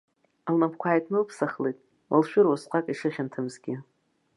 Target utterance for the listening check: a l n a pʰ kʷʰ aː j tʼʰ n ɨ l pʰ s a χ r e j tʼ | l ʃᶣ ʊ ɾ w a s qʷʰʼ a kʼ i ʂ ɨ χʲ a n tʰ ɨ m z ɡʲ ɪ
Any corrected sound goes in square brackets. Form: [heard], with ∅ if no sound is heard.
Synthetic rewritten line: a l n a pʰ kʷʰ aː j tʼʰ n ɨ l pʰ s a χ [l] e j tʼ | l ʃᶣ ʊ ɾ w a s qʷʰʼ a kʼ i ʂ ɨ χʲ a n tʰ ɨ m z ɡʲ ɪ